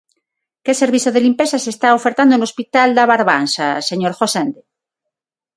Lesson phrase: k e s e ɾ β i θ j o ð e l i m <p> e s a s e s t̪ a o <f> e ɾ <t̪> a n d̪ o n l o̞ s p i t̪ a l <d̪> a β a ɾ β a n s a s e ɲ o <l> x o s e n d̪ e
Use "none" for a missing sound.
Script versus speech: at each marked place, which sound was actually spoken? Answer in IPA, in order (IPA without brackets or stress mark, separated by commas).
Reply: p, f, t̪, d̪, ɾ